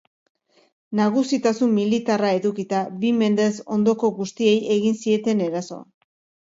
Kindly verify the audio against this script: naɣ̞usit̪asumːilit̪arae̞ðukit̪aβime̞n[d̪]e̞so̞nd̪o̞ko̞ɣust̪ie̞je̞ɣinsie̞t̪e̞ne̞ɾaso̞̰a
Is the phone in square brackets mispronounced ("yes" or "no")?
no